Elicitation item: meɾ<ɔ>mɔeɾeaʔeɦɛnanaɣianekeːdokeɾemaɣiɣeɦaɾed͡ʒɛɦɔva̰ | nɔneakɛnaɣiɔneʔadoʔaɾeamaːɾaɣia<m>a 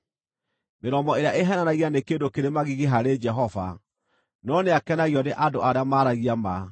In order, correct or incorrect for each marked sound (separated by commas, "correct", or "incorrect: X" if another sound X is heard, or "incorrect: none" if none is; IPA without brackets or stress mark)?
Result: correct, correct